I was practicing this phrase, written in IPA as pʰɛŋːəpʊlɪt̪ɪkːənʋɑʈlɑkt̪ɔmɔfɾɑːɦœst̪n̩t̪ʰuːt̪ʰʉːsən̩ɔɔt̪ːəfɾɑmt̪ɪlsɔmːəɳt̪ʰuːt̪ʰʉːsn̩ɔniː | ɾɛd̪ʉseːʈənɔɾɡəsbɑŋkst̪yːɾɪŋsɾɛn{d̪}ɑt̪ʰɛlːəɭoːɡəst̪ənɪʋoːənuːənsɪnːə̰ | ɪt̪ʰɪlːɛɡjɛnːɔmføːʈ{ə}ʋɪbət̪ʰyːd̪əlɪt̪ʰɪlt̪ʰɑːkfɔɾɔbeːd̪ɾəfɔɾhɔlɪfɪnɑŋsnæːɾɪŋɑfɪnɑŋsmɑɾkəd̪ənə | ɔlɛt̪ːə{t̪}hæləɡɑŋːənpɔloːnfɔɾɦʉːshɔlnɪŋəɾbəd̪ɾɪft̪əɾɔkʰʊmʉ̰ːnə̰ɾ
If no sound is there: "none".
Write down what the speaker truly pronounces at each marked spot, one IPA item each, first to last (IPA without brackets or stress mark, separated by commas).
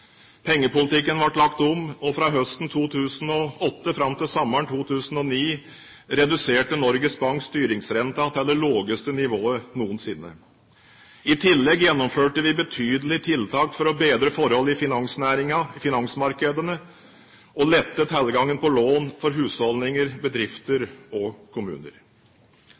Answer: t̪, ə, t̪